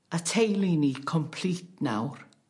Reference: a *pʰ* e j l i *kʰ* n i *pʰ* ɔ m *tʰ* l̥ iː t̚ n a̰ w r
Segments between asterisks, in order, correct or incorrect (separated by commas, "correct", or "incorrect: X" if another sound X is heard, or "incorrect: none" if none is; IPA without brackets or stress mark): incorrect: tʰ, incorrect: none, incorrect: kʰ, incorrect: pʰ